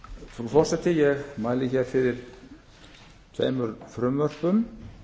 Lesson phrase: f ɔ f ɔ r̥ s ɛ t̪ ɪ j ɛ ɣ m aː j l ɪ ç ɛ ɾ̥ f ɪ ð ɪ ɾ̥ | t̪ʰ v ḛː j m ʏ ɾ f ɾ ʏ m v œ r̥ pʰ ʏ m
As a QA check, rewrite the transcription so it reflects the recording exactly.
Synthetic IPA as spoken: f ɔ f ɔ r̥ s ɛ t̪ ɪ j ɛ ɣ m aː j l ɪ ç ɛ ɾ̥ f ɪ ð ɪ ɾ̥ | t̪ʰ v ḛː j m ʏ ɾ f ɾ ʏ m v œ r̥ p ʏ m